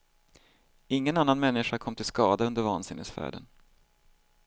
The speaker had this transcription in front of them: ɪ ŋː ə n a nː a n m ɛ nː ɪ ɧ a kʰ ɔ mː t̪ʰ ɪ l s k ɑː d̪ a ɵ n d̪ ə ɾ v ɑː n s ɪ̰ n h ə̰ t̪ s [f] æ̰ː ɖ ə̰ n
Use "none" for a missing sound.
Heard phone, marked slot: f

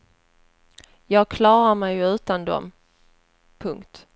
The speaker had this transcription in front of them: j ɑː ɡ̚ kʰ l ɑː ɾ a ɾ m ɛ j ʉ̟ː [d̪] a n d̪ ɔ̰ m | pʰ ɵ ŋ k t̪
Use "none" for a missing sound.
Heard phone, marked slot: t̪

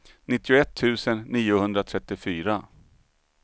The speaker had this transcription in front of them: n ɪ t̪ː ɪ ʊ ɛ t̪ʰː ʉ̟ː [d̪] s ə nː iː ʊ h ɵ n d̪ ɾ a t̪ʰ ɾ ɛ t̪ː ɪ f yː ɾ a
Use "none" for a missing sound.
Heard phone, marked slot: none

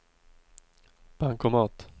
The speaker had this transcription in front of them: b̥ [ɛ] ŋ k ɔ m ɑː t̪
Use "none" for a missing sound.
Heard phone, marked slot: a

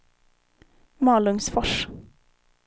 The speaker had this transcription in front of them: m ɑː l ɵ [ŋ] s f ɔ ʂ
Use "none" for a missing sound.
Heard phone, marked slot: ŋ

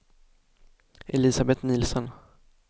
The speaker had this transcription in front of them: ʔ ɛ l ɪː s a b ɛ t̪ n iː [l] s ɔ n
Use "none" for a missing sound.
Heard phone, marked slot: l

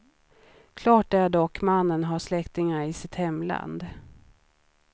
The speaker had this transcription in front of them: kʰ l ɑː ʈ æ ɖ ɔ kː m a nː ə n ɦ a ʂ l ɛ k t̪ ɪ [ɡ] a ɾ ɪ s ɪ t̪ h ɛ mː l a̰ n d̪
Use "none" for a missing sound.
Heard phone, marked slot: ŋ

